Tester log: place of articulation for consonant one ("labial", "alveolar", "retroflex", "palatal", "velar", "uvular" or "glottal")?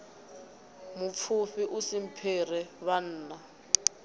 labial